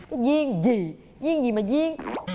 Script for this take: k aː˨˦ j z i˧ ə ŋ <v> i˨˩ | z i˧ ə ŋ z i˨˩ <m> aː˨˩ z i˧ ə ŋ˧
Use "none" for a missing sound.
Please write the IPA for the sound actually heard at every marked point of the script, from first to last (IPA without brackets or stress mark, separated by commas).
z, m